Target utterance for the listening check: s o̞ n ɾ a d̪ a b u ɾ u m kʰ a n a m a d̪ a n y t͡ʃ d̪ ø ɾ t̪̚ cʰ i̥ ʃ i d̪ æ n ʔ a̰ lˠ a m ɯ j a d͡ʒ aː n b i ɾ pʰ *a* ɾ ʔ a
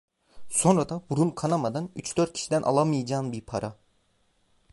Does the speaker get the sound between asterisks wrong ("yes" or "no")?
no